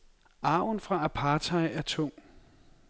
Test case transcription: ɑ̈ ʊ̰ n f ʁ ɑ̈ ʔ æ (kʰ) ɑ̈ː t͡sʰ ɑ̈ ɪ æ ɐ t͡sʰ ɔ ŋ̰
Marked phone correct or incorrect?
incorrect